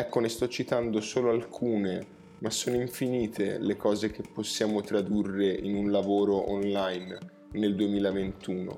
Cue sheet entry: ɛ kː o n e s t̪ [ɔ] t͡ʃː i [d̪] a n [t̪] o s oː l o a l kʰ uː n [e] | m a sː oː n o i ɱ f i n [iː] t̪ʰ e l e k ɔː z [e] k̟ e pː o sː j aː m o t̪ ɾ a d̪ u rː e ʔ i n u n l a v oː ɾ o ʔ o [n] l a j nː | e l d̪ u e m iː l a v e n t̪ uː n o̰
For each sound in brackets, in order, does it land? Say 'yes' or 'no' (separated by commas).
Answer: yes, no, no, yes, yes, yes, yes